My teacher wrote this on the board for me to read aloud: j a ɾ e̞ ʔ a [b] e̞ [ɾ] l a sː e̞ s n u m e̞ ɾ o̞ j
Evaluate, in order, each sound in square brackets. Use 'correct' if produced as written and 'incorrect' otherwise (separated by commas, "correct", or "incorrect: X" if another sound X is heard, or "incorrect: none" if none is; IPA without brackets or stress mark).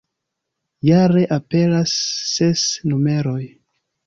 incorrect: p, incorrect: none